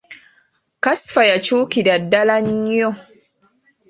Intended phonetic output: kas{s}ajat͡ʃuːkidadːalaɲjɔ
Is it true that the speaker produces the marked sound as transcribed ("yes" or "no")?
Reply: no